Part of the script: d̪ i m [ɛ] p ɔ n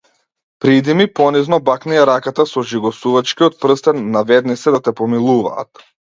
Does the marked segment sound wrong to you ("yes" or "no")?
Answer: yes